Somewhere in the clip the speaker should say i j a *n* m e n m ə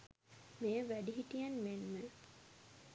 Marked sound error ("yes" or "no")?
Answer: no